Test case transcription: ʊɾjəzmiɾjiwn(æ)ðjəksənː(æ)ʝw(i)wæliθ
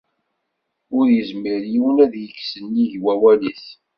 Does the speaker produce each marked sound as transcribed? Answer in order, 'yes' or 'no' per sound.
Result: yes, no, no

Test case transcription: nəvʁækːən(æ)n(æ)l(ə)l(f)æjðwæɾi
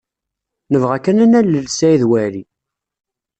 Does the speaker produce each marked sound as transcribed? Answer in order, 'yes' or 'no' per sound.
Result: yes, yes, yes, no

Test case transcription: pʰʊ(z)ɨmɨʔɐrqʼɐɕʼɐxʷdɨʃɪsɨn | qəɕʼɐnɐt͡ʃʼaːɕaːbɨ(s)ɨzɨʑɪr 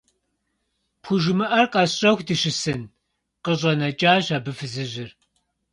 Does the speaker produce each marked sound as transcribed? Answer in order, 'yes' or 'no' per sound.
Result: no, no

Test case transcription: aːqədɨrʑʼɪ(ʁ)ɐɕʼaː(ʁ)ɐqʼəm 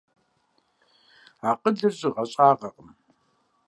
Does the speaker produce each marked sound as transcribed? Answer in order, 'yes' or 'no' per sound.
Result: yes, yes

